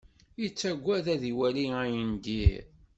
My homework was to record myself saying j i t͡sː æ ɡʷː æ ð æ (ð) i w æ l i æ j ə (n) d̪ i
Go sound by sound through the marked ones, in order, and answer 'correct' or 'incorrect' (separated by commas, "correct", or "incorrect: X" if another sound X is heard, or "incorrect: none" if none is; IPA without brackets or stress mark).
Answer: correct, correct